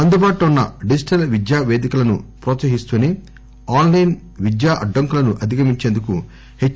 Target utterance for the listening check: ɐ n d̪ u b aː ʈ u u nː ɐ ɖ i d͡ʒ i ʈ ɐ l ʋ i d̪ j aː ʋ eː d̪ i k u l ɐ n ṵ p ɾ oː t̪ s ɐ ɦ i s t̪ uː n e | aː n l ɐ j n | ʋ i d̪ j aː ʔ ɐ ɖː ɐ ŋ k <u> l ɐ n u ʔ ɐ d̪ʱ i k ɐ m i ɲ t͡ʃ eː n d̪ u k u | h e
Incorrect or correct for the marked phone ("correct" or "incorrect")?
correct